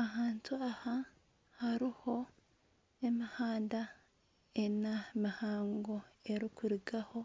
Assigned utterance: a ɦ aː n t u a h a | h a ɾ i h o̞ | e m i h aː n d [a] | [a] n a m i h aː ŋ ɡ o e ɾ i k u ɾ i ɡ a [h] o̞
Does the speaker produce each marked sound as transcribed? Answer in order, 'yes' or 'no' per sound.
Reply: yes, no, yes

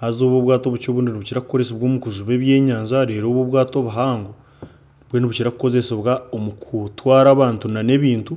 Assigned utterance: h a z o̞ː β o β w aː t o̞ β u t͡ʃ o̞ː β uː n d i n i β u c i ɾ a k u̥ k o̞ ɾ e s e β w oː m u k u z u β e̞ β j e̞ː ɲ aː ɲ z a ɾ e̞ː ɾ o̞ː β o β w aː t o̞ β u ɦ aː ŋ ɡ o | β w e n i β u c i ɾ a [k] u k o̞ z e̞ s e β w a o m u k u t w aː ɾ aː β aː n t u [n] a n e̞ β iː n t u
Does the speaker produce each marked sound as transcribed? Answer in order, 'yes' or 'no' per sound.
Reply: yes, yes

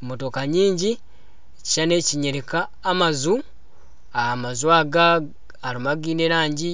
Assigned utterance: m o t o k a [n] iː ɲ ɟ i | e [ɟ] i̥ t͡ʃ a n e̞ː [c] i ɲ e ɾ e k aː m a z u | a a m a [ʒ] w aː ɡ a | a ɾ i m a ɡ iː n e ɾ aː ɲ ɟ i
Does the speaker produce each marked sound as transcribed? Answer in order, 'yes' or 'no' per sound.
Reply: no, no, yes, no

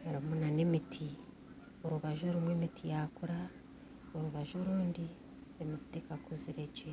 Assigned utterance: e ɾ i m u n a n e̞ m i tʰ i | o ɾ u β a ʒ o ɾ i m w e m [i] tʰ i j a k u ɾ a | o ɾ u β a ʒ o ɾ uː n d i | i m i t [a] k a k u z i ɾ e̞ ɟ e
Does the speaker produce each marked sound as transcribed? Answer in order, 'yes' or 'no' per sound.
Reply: yes, no

